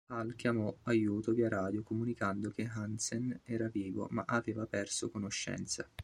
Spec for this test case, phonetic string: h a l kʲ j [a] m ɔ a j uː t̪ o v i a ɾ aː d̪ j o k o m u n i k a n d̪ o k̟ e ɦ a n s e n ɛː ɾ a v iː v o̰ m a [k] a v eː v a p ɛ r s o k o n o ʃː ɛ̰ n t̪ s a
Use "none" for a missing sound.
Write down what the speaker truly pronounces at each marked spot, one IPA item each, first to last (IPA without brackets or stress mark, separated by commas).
a, ʔ